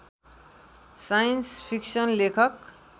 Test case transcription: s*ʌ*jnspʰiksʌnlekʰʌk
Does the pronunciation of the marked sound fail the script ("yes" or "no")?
yes